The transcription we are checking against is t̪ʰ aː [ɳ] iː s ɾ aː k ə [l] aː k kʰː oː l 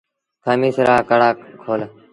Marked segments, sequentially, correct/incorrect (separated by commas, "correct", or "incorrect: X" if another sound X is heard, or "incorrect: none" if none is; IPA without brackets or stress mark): incorrect: m, incorrect: ɽ